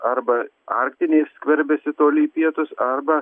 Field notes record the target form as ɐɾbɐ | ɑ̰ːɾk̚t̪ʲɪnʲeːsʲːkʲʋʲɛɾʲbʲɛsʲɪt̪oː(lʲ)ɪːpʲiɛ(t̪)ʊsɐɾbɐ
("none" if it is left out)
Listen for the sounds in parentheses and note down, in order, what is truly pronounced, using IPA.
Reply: lʲ, t̪

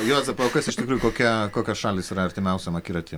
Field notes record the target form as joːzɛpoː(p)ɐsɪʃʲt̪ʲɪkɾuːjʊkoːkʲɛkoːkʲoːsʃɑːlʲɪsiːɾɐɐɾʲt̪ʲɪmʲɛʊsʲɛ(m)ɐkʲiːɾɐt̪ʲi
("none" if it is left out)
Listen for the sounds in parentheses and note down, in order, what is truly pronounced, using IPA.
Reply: k, m

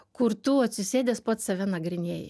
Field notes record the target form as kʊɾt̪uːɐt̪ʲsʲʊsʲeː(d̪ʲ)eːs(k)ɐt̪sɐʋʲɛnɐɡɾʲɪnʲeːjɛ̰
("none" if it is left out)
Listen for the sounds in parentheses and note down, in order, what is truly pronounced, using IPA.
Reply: d̪ʲ, p

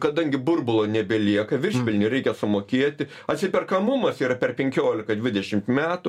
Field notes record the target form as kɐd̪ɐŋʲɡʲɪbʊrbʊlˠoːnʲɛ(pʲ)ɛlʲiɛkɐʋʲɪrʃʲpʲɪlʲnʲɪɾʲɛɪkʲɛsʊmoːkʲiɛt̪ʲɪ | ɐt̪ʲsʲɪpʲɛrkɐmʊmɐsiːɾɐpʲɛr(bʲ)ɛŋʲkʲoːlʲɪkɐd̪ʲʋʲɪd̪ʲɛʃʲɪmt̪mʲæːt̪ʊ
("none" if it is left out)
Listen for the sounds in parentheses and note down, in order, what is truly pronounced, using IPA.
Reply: bʲ, pʲ

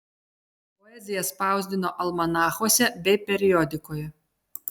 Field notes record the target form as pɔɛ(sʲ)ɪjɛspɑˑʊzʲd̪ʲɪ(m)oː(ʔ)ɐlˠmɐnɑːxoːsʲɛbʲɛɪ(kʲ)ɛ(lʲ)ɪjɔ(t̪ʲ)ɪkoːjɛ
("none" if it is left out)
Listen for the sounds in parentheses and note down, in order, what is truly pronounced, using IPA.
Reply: zʲ, n, ʔ, pʲ, ɾʲ, d̪ʲ

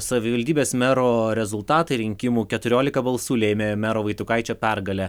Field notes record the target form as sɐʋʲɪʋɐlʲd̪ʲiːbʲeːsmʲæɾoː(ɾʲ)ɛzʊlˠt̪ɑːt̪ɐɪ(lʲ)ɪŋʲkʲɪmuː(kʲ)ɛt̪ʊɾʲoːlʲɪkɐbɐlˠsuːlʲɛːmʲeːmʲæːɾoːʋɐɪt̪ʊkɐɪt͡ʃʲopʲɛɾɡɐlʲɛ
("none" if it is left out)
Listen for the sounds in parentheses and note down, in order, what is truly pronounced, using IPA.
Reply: ɾʲ, ɾʲ, kʲ

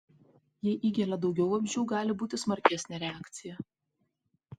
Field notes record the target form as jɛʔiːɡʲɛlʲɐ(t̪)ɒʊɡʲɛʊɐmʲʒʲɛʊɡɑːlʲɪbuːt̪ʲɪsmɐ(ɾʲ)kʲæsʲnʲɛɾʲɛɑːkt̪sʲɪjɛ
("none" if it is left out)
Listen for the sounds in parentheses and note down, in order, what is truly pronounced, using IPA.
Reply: d̪, ɾʲ

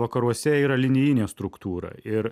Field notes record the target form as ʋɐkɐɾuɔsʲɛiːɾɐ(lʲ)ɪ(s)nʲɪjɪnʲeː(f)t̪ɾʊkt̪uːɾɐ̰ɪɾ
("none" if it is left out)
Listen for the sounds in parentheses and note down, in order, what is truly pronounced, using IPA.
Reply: lʲ, none, s

